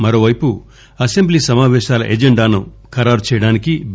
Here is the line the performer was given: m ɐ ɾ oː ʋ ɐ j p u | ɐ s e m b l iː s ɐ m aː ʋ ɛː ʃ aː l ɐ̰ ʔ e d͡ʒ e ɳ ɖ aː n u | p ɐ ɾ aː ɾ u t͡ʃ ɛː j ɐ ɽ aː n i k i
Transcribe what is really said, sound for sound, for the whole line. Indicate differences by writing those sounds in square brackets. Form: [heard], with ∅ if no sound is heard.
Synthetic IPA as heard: m ɐ ɾ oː ʋ ɐ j p u | ɐ s e m b l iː s ɐ m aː ʋ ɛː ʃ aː l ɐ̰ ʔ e d͡ʒ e ɳ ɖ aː n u | [k] ɐ ɾ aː ɾ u t͡ʃ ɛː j ɐ ɽ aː n i k i